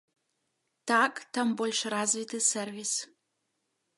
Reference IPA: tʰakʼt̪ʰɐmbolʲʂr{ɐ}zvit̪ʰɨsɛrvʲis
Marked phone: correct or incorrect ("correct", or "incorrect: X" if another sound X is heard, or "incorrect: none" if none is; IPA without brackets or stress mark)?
incorrect: a